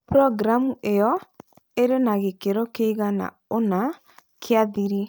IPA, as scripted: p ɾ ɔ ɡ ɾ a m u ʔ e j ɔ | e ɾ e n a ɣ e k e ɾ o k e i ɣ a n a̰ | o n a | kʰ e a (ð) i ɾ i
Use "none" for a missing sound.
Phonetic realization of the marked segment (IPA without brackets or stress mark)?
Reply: ð